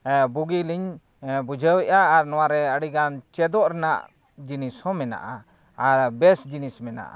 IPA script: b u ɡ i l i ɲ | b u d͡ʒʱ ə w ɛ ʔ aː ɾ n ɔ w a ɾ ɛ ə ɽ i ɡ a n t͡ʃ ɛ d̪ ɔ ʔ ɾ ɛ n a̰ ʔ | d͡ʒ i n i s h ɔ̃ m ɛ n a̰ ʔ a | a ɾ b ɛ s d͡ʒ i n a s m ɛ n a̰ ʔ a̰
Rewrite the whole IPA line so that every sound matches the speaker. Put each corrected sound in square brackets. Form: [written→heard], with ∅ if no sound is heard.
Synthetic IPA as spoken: b u ɡ i l i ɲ | b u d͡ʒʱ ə w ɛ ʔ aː ɾ n ɔ w a ɾ ɛ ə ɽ i ɡ a n t͡ʃ ɛ d̪ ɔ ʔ ɾ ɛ n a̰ ʔ | d͡ʒ i n i s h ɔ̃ m ɛ n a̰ ʔ a | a ɾ b ɛ s d͡ʒ i n [a→i] s m ɛ n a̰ ʔ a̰

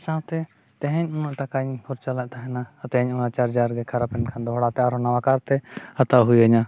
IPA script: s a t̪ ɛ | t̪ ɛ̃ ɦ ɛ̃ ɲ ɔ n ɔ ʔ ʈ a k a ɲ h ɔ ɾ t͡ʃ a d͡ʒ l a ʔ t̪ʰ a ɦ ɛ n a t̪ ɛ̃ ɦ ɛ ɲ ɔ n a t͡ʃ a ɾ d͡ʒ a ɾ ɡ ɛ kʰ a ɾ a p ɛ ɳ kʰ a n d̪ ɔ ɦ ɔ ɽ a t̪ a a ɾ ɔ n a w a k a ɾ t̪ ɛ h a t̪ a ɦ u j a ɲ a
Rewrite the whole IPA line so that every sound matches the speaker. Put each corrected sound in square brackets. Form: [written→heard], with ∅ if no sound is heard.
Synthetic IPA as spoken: s a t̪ ɛ | t̪ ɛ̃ ɦ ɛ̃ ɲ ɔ n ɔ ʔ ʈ a k a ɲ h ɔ ɾ t͡ʃ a [d͡ʒ→∅] l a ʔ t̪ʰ a ɦ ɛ n a t̪ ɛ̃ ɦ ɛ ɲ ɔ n a t͡ʃ a ɾ d͡ʒ a ɾ ɡ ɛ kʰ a ɾ a p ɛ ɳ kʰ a n d̪ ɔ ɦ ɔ ɽ a t̪ [a→ɛ] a ɾ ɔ n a w a k a ɾ t̪ ɛ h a t̪ a ɦ u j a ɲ a

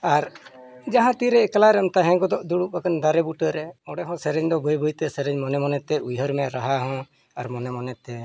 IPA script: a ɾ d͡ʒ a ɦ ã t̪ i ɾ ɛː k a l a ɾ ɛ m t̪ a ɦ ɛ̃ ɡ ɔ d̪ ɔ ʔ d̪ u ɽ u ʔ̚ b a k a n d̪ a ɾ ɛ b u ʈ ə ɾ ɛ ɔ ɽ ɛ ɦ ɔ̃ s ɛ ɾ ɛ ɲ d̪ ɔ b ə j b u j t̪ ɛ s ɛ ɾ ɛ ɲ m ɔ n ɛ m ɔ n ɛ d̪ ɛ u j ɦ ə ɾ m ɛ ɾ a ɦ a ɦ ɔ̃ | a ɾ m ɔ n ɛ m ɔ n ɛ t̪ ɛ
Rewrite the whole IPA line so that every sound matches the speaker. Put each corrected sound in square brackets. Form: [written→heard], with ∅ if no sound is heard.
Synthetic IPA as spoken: a ɾ d͡ʒ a ɦ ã t̪ i ɾ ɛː k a l a ɾ ɛ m t̪ a ɦ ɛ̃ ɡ ɔ d̪ ɔ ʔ d̪ u ɽ u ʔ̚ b a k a n d̪ a ɾ ɛ b u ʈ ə ɾ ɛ ɔ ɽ ɛ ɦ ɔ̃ s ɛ ɾ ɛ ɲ d̪ ɔ b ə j b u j t̪ ɛ s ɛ ɾ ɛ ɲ m ɔ n ɛ m ɔ n ɛ [d̪→t̪] ɛ u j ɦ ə ɾ m ɛ ɾ a ɦ a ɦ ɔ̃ | a ɾ m ɔ n ɛ m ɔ n ɛ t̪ ɛ

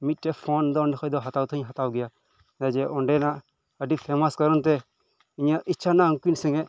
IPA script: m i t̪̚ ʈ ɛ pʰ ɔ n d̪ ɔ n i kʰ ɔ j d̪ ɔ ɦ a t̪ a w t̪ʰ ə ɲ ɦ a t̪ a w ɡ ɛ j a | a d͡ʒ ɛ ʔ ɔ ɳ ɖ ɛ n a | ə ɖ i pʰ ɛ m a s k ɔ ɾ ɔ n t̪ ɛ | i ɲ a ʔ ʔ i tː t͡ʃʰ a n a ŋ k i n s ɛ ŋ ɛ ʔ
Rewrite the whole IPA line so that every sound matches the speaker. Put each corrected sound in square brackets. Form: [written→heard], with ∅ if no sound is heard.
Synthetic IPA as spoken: m i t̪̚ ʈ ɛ pʰ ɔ n d̪ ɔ n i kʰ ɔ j d̪ ɔ ɦ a t̪ a w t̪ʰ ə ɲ ɦ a t̪ a w ɡ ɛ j a | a d͡ʒ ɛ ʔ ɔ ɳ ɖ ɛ n a | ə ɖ i pʰ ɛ m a s k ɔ ɾ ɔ n t̪ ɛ | i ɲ a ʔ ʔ i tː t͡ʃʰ a n a ŋ k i n s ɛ ŋ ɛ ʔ

